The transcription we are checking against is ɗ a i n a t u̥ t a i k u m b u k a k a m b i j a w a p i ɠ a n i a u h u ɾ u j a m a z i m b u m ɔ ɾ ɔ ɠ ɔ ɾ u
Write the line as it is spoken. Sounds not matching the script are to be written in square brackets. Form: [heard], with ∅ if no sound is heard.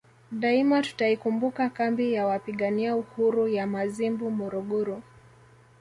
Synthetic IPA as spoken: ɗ a i [m] a t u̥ t a i k u m b u k a k a m b i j a w a p i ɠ a n i a u h u ɾ u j a m a z i m b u m ɔ ɾ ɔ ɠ ɔ ɾ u